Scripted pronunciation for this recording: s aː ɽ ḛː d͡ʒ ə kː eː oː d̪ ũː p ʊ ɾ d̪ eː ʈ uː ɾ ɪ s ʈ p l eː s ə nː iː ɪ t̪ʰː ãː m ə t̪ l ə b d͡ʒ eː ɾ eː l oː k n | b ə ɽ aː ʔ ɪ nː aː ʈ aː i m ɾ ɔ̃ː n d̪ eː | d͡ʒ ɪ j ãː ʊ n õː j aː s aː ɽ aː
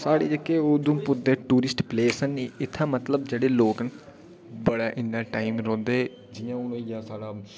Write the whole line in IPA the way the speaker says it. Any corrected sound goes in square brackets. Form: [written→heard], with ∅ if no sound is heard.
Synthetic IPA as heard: s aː ɽ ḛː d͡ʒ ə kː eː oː d̪ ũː p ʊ ɾ d̪ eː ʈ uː ɾ ɪ s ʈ p l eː s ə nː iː ɪ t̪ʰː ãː m ə t̪ l ə b d͡ʒ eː [ɾ→ɽ] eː l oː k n | b ə ɽ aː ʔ ɪ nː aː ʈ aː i m ɾ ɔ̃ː n d̪ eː | d͡ʒ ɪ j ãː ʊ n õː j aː s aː ɽ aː